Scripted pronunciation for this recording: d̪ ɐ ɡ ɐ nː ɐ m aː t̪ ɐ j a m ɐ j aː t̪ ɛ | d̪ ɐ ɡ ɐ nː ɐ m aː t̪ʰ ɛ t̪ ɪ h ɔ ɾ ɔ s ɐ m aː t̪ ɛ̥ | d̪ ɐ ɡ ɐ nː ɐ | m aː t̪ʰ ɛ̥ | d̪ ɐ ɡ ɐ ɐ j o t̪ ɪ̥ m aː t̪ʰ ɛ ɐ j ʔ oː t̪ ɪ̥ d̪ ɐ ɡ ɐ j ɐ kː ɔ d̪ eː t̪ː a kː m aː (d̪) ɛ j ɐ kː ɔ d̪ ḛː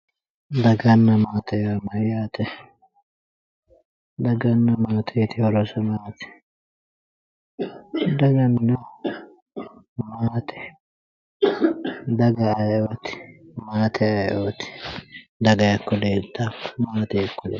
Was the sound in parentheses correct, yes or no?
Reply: no